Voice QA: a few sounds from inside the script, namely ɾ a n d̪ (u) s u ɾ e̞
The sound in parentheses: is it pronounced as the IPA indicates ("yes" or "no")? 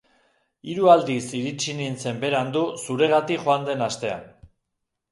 yes